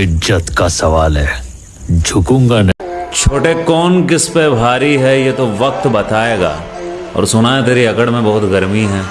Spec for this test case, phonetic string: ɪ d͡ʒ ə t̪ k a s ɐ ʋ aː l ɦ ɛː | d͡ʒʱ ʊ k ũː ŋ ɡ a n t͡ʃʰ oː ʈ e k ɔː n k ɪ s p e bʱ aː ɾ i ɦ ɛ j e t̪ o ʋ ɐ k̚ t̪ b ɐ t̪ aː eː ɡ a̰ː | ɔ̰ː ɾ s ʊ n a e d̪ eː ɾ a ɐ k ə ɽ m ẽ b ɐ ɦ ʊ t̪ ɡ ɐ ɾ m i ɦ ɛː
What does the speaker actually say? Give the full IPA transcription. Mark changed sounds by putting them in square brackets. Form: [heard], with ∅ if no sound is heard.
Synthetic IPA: ɪ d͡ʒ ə t̪ k a s ɐ ʋ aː l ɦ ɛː | d͡ʒʱ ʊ k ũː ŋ ɡ a n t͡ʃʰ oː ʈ e k ɔː n k ɪ s p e bʱ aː ɾ i ɦ ɛ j e t̪ o ʋ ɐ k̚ t̪ b ɐ t̪ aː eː ɡ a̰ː | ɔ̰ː ɾ s ʊ n a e [t̪] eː ɾ [i] ɐ k ə ɽ m ẽ b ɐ ɦ ʊ t̪ ɡ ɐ ɾ m i ɦ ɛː